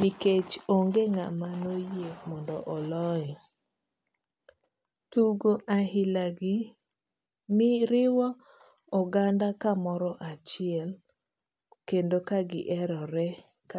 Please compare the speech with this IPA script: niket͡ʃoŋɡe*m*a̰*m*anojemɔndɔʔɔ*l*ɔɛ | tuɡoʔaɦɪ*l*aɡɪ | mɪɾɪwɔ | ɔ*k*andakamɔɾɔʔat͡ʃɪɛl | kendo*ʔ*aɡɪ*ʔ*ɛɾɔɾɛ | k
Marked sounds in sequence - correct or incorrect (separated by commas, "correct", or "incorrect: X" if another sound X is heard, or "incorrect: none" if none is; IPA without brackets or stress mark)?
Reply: incorrect: ŋ, correct, correct, correct, incorrect: ɡ, incorrect: k, correct